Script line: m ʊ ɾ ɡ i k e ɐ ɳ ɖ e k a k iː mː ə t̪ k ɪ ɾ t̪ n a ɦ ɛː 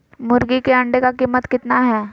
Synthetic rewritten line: m ʊ ɾ ɡ i k e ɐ ɳ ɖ e k a k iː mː ə t̪ k ɪ t̪ n a ɦ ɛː